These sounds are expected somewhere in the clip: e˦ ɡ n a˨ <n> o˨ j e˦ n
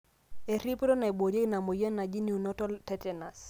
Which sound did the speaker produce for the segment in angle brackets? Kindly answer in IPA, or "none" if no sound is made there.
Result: m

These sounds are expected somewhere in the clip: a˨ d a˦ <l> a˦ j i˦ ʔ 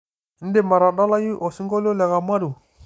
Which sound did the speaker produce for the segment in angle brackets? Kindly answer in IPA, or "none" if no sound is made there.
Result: l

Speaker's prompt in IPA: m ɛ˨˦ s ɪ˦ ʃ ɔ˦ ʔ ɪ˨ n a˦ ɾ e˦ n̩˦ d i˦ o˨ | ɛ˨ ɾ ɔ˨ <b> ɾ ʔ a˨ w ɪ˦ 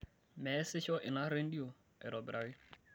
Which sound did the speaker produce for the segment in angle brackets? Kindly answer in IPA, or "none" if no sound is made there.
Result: b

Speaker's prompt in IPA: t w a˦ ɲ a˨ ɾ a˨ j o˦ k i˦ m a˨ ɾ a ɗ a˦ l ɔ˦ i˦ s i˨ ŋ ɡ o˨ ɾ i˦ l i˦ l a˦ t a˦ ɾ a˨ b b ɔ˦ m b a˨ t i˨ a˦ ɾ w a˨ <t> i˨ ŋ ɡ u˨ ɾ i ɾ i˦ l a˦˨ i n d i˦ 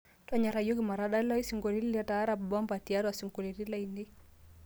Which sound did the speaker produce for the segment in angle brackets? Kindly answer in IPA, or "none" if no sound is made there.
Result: s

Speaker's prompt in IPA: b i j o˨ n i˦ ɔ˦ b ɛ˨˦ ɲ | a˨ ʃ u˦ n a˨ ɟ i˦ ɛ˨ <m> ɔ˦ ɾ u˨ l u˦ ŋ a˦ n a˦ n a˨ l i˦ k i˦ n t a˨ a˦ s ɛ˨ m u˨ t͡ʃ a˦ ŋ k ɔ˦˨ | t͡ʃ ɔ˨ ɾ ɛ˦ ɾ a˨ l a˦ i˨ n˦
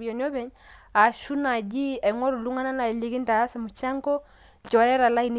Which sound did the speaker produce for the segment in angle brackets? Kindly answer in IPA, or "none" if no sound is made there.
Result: ŋ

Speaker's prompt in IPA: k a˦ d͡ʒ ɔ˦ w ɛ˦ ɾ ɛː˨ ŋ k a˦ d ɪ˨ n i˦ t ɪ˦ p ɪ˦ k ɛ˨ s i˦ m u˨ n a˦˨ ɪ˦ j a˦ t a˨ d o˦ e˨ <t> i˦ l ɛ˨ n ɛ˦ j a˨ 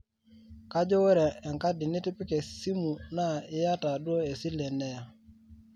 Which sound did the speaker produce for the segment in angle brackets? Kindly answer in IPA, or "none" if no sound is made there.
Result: s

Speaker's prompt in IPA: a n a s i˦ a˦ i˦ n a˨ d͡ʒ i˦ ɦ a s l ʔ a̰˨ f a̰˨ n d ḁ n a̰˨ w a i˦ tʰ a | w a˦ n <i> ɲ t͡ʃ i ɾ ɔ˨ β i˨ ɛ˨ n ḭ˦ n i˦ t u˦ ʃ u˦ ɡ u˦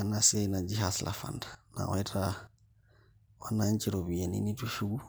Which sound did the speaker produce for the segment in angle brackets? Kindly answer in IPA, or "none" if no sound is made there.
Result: a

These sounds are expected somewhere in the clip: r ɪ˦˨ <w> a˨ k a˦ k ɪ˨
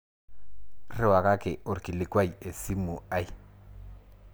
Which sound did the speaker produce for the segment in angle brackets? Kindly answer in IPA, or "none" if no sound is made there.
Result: w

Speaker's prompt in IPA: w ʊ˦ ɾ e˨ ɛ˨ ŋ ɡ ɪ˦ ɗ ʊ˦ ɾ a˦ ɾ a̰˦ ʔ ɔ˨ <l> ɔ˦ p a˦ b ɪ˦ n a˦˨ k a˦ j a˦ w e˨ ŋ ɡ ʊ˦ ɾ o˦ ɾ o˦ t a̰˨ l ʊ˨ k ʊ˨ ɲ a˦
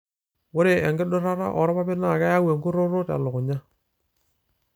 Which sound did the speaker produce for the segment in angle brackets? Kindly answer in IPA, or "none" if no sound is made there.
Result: ɾ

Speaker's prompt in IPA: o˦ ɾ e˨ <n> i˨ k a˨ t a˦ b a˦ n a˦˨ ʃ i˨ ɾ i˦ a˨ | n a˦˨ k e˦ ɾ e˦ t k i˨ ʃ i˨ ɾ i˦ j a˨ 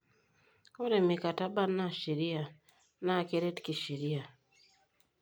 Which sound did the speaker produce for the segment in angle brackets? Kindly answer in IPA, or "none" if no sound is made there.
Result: m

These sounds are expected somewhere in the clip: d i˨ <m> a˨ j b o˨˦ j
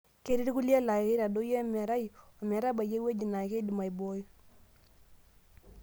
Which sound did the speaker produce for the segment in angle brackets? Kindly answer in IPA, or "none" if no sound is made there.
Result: m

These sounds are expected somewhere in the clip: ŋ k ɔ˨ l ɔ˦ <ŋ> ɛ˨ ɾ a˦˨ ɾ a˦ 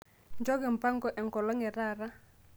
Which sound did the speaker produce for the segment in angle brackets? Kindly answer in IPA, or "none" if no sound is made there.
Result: ŋ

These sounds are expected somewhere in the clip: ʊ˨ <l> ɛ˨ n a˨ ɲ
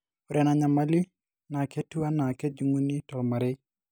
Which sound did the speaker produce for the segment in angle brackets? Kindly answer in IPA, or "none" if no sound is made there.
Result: ɾ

